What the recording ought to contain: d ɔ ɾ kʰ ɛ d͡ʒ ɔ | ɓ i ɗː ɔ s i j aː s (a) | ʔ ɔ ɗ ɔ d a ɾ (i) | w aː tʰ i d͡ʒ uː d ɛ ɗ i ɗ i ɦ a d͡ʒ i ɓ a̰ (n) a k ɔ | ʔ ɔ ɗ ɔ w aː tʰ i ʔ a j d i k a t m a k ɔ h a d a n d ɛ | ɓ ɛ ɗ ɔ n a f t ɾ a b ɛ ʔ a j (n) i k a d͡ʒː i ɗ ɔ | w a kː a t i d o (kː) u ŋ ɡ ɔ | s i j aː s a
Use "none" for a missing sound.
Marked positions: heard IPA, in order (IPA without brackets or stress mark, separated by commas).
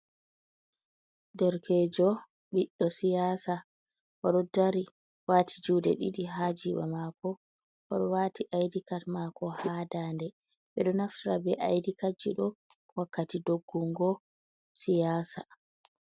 a, i, m, d, ɡː